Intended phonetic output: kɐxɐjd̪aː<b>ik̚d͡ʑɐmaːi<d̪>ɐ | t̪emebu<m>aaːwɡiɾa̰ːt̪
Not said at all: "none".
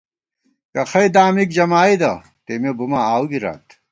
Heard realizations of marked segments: m, d̪, m

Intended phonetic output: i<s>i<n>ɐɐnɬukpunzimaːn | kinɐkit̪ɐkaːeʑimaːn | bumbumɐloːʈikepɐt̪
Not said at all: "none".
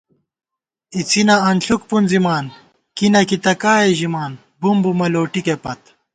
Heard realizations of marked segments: t͡s, n

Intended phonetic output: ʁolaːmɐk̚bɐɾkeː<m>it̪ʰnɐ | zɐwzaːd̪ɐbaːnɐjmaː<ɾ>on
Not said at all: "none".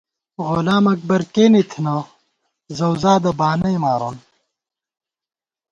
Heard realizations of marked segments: n, ɾ

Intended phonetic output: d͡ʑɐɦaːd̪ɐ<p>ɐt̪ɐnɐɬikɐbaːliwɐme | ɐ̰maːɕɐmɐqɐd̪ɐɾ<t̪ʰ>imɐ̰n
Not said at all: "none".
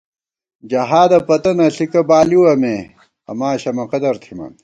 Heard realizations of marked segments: p, t̪ʰ

